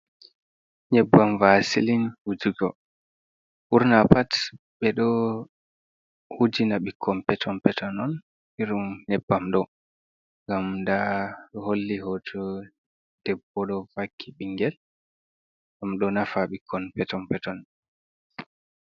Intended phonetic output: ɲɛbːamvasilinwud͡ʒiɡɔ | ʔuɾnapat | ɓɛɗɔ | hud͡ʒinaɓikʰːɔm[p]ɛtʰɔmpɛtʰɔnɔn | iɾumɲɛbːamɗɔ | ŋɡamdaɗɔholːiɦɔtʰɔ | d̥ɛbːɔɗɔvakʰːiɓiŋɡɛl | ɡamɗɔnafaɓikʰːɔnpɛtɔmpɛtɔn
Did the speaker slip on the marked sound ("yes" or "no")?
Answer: no